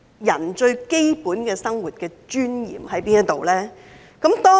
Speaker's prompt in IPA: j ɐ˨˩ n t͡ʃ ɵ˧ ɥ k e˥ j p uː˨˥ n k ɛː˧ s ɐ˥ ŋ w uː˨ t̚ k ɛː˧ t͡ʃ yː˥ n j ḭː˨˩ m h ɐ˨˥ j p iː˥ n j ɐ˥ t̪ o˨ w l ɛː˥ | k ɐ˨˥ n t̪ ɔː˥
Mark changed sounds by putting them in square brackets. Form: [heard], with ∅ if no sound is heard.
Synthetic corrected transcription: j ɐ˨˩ n t͡ʃ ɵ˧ ɥ k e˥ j p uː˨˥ n k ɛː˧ s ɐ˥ ŋ w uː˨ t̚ k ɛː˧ t͡ʃ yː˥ n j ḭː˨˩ m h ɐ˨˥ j p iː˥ n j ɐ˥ t̪ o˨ w l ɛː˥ | k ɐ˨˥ [m] t̪ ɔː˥

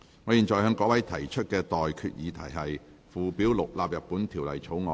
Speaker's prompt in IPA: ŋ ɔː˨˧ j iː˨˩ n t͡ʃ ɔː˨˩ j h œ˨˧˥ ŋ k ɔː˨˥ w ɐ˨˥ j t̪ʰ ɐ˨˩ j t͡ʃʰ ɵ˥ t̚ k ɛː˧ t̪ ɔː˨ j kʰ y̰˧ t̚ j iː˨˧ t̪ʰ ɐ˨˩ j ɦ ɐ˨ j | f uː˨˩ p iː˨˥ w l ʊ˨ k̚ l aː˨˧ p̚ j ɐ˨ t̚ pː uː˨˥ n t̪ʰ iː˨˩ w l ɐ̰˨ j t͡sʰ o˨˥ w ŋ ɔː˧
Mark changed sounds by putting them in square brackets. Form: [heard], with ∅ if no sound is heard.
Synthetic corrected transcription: ŋ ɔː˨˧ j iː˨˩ n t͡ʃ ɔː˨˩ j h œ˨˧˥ ŋ k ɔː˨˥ w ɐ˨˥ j t̪ʰ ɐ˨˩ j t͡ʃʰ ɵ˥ t̚ k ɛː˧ t̪ ɔː˨ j kʰ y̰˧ t̚ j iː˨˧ t̪ʰ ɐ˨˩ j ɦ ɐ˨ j | f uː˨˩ p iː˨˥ w l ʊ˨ k̚ l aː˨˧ p̚ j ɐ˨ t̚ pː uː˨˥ n t̪ʰ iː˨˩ w l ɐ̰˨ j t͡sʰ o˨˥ w ŋ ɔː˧

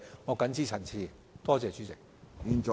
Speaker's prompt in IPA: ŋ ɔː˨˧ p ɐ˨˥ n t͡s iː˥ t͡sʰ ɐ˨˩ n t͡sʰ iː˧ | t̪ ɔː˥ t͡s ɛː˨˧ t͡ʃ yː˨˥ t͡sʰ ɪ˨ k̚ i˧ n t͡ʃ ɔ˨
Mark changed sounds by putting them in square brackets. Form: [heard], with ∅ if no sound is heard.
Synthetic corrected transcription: ŋ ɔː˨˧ [k] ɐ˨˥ n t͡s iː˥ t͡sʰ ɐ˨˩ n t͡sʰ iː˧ | t̪ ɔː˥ t͡s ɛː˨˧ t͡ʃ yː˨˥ [t͡s] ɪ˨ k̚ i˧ n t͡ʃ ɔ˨

